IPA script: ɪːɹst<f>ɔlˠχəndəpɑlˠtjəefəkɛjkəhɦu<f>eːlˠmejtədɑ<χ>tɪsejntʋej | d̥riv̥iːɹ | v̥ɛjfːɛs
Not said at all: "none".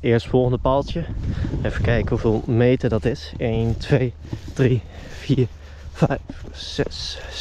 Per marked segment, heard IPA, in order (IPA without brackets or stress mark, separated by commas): f, v, none